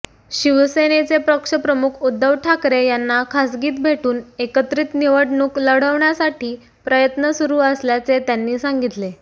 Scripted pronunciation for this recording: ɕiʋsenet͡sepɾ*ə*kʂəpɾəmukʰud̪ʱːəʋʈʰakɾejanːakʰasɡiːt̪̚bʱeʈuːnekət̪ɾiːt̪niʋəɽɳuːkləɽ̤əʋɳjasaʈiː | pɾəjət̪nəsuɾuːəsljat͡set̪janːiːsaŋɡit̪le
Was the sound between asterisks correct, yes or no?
yes